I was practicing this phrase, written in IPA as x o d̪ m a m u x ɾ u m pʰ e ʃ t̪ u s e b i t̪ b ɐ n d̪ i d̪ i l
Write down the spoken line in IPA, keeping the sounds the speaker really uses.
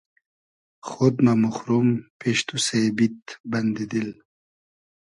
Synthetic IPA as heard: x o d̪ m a m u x ɾ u m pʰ e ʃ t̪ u s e b i t̪ b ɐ n d̪ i d̪ i l